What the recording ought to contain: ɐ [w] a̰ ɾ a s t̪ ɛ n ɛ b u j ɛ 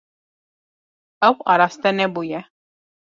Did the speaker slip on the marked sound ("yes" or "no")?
no